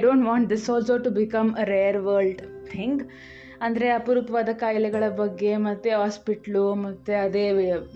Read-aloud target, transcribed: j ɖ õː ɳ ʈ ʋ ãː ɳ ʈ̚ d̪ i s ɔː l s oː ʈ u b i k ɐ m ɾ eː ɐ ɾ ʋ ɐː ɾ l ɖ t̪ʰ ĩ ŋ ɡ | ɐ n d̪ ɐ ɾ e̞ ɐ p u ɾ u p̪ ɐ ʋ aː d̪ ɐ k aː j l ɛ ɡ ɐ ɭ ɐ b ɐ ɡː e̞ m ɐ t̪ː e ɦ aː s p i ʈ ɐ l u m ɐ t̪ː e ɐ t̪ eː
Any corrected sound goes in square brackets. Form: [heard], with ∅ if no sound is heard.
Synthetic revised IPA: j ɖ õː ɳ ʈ ʋ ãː ɳ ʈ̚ d̪ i s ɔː l s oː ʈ u b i k ɐ m ɾ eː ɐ ɾ ʋ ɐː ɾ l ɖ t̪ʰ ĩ ŋ ɡ | ɐ n d̪ ɐ ɾ e̞ ɐ p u ɾ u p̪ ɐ ʋ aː d̪ ɐ k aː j l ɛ ɡ ɐ ɭ ɐ b ɐ ɡː e̞ m ɐ t̪ː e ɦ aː s p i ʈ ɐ l u m ɐ t̪ː e ɐ [d̪] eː